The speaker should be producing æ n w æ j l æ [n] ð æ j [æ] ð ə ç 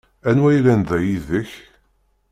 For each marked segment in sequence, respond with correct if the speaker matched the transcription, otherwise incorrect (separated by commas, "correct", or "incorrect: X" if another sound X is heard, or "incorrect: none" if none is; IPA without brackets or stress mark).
correct, incorrect: i